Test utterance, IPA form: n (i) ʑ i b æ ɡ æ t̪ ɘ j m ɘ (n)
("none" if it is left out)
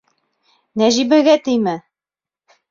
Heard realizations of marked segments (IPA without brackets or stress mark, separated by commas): æ, none